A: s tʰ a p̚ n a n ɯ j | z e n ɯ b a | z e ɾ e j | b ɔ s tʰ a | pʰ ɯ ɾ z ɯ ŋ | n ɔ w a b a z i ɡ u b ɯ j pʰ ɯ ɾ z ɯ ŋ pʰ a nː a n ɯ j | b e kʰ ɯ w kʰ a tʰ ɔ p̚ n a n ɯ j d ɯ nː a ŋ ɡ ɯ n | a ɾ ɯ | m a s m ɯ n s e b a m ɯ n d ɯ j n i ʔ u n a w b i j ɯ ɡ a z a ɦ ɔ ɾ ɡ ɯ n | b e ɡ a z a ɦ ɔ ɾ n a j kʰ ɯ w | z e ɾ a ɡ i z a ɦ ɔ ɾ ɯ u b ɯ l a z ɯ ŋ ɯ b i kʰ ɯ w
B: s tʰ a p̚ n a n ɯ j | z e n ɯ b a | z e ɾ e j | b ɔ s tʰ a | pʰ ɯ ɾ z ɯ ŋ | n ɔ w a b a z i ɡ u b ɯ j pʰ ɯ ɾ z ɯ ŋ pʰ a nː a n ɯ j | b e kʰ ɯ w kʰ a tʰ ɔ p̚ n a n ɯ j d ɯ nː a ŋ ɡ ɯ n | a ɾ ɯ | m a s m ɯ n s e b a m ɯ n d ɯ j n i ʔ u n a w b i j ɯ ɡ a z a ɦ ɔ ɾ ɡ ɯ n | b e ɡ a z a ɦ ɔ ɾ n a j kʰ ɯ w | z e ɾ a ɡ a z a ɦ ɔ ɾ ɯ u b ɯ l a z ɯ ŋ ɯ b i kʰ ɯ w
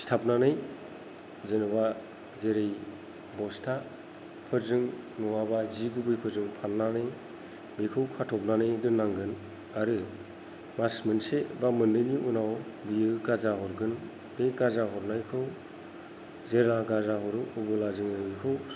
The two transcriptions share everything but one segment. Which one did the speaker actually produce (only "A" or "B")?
B